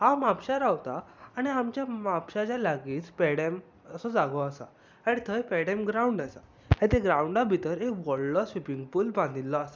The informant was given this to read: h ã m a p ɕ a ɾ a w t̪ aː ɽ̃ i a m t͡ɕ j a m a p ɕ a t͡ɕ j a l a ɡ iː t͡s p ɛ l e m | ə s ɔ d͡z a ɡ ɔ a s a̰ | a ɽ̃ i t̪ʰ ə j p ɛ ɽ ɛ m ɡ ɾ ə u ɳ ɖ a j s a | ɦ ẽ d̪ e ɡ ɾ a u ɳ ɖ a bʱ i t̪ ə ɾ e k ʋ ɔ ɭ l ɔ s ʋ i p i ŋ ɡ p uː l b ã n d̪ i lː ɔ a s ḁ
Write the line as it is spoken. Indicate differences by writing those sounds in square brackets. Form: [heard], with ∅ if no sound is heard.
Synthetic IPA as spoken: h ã m a p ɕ a ɾ a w t̪ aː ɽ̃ i a m t͡ɕ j a m a p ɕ a t͡ɕ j a l a ɡ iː t͡s p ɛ [ɽ] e m | ə s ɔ d͡z a ɡ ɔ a s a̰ | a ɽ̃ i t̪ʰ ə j p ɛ ɽ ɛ m ɡ ɾ [a] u ɳ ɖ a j s a | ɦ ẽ [t̪] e ɡ ɾ a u ɳ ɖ a bʱ i t̪ ə ɾ e k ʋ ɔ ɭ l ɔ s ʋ i p i ŋ ɡ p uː l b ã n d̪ i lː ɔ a s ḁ